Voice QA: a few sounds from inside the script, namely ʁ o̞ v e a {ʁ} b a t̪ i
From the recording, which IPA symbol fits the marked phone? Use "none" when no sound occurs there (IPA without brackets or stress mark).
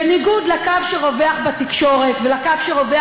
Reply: χ